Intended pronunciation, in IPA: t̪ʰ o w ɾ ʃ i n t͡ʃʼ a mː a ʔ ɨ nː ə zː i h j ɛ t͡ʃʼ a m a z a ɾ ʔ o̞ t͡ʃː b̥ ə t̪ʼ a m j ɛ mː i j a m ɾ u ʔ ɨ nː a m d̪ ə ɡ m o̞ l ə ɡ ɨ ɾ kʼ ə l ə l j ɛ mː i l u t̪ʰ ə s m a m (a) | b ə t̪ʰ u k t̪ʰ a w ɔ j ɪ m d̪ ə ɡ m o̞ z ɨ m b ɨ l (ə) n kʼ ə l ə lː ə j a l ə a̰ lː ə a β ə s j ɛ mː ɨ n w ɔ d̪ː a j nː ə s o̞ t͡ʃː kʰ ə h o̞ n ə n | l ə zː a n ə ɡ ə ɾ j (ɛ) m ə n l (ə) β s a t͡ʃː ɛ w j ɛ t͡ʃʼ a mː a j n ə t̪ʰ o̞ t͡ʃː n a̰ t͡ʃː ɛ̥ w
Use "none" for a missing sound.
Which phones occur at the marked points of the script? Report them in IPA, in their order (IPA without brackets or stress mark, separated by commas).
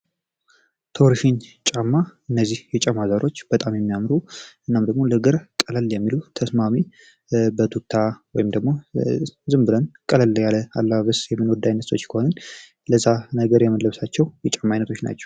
i, ə, ɛ, ə